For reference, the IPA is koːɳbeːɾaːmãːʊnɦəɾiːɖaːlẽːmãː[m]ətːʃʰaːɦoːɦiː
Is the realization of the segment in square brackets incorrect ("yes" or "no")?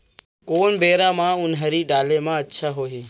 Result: yes